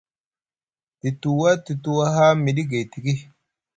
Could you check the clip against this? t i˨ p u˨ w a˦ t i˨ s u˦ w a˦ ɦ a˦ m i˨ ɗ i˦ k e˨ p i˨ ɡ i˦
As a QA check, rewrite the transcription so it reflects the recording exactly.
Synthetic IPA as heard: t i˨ t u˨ w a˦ t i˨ t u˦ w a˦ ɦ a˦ m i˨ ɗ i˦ ɡ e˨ t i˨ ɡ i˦